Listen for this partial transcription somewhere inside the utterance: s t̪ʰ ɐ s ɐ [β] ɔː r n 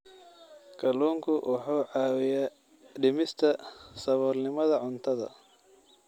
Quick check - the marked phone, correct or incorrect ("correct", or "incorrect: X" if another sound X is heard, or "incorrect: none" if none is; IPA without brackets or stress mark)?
correct